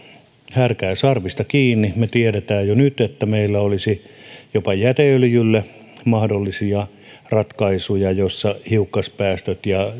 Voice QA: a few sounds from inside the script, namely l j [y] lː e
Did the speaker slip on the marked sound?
no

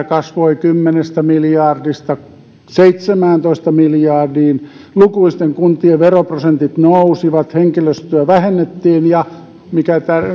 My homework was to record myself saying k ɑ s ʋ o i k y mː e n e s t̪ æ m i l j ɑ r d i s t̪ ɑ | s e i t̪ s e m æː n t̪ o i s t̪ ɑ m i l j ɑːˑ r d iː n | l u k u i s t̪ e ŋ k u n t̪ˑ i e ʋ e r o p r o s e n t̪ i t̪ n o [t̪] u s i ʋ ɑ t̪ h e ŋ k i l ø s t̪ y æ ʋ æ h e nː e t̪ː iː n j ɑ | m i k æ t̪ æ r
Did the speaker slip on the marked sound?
yes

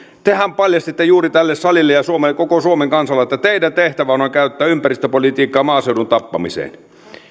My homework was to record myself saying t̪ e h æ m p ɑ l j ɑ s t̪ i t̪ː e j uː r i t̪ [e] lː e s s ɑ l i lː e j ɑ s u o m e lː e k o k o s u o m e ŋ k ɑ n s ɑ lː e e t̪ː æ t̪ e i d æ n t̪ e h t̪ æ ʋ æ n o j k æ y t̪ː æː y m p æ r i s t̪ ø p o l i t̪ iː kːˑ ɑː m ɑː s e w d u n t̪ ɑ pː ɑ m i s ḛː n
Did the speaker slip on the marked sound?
yes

